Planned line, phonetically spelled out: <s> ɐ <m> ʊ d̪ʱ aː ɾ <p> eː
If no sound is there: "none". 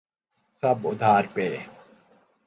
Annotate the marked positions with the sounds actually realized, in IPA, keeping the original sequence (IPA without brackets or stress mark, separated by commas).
s, b, p